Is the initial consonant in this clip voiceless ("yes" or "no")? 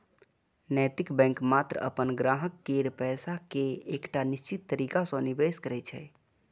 no